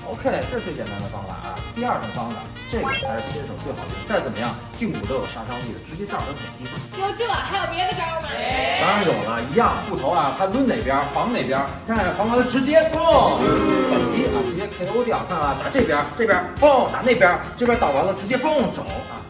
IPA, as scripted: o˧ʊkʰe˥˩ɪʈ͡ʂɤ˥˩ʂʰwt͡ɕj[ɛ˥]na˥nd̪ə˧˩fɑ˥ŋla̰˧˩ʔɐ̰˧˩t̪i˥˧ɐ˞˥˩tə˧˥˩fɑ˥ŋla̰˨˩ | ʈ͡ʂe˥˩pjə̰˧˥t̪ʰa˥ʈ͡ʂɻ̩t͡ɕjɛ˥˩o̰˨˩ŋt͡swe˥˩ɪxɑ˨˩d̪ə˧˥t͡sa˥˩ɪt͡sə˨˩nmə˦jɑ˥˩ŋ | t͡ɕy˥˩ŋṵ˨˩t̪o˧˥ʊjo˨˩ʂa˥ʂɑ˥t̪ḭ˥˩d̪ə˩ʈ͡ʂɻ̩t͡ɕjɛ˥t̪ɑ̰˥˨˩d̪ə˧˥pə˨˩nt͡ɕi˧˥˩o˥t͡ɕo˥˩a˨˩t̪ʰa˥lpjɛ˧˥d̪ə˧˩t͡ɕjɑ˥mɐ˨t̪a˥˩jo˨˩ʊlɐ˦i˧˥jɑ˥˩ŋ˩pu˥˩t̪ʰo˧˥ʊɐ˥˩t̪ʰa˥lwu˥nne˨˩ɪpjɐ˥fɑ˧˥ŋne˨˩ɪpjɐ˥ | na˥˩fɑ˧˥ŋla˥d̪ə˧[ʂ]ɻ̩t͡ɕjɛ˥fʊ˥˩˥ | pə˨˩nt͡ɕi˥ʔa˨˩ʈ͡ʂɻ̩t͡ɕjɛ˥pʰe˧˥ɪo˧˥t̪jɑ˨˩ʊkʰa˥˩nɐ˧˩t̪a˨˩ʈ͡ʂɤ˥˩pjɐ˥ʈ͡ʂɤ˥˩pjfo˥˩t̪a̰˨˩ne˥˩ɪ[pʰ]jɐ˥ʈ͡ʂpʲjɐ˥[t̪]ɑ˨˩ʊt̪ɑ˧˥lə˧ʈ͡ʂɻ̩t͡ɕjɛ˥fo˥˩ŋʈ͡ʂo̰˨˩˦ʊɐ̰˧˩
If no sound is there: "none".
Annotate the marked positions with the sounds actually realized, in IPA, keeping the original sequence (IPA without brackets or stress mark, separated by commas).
ɛ˨˩, ʈ͡ʂ, p, t̪